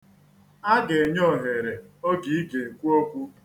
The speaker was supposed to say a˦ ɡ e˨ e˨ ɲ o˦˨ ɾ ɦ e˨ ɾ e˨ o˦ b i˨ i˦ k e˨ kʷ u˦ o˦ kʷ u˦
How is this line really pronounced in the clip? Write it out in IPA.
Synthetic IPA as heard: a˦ ɡ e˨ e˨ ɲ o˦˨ ɦ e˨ ɾ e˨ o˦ ɡ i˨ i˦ ɡ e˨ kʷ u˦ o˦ kʷ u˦